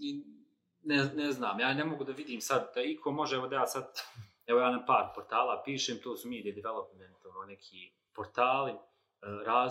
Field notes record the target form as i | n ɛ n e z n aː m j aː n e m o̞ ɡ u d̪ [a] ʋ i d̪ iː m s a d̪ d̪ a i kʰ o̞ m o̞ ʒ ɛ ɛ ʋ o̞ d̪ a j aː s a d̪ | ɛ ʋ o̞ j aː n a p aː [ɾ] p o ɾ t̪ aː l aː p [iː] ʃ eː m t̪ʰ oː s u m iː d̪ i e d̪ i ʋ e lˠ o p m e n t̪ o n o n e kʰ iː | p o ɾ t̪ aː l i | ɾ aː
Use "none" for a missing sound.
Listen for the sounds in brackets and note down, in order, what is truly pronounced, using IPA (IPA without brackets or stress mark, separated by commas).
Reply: a, ɾ, iː